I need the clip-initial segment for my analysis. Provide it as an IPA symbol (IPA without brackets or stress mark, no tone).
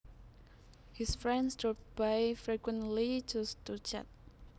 h